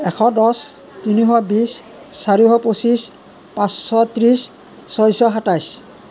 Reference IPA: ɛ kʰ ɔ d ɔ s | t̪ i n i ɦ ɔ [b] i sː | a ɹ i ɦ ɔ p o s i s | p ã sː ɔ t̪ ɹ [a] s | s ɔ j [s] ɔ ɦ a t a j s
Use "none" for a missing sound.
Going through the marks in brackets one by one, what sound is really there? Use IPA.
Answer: b, i, s

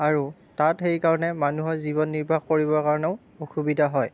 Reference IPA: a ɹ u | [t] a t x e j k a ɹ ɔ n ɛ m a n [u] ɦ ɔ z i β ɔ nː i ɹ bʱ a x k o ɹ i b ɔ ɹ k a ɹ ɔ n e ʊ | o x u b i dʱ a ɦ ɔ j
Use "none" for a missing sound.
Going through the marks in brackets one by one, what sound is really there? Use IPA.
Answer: t, u

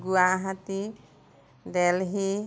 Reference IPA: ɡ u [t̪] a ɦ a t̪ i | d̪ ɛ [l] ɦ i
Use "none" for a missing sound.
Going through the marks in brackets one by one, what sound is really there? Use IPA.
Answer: none, l

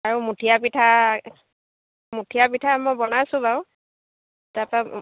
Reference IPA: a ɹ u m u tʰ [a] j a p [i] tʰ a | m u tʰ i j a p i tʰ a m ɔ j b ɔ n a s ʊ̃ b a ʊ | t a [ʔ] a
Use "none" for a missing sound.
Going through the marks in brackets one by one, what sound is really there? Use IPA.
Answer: i, i, p

